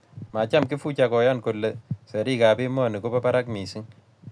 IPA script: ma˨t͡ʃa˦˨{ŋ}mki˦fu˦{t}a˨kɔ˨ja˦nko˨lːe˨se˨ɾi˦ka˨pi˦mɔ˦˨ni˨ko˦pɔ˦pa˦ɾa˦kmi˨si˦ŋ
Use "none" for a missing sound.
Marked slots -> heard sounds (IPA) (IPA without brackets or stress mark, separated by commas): none, t͡ʃ